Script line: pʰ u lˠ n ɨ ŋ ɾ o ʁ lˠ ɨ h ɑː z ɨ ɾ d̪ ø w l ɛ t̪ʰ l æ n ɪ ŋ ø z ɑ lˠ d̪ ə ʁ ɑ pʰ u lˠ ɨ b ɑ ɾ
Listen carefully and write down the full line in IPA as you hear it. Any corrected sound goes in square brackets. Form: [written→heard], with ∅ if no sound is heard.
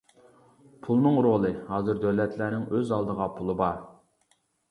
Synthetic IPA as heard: pʰ u lˠ n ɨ ŋ ɾ o [ʁ→∅] lˠ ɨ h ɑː z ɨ ɾ d̪ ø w l ɛ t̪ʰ l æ n ɪ ŋ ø z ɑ lˠ d̪ ə ʁ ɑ pʰ u lˠ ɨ b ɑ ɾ